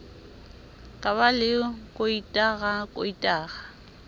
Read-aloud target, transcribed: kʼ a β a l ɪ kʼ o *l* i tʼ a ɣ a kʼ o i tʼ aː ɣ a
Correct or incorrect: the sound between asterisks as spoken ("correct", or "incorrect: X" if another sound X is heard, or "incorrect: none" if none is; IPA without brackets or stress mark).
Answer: incorrect: none